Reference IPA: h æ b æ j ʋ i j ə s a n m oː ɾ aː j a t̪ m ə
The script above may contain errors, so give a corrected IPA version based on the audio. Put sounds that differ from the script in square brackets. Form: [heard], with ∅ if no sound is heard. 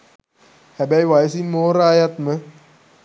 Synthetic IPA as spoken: h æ b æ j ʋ [a] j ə s [i] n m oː ɾ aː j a t̪ m ə